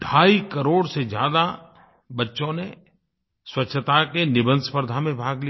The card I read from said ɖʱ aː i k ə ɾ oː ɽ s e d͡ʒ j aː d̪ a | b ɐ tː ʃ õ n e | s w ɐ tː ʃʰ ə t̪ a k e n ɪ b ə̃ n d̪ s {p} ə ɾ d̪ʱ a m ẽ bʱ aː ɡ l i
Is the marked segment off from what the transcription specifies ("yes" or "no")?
no